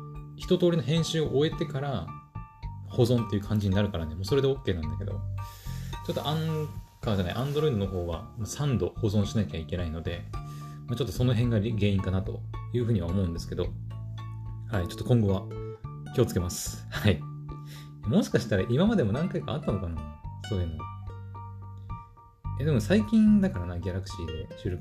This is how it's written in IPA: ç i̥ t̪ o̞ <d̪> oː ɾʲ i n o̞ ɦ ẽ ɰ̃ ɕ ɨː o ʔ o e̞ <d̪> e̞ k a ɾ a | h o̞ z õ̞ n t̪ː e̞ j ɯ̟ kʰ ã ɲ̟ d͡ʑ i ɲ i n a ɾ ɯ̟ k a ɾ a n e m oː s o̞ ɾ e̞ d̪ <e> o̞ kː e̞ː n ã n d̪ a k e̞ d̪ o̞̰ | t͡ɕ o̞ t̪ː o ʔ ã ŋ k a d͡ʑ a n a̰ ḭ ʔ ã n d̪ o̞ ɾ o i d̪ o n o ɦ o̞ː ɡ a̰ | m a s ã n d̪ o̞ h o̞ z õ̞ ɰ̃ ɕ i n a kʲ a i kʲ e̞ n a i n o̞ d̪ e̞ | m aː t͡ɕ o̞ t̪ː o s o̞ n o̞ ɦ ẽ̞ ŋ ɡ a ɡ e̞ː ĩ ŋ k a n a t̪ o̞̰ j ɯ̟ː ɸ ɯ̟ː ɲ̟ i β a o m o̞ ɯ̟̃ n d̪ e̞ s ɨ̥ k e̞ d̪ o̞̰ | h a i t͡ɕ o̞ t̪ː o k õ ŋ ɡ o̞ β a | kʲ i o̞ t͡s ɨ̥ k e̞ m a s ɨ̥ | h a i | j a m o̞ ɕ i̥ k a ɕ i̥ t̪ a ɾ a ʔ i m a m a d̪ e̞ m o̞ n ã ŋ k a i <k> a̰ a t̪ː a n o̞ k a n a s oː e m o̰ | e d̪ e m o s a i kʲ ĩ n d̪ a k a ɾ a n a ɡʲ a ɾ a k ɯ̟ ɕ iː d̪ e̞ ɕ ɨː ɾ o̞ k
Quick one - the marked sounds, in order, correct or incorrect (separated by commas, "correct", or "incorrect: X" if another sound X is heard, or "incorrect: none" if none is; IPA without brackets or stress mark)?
incorrect: t̪, incorrect: t̪, correct, correct